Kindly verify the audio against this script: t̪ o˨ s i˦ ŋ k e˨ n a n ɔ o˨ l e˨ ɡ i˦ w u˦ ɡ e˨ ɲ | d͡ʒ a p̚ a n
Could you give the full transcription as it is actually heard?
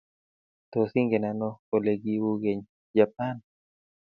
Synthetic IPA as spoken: t̪ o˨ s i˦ ŋ ɡ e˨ n a n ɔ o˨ l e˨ ɡ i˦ w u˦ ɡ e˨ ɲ | d͡ʒ a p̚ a n